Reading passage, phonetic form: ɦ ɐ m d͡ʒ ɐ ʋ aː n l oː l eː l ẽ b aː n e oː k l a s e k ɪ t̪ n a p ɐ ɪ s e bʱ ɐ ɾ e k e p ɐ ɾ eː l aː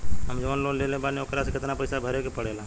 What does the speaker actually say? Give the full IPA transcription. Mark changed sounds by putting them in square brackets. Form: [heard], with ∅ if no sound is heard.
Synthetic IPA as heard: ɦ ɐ m d͡ʒ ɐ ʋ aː n l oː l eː l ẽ b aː n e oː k [ɾ] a s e k ɪ t̪ n a p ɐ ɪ s [a] bʱ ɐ ɾ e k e p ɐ [ɽ] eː l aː